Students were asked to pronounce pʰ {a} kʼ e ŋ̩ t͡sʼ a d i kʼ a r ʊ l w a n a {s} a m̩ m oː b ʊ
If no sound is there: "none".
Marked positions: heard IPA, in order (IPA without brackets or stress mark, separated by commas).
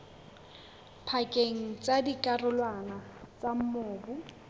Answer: a, t͡s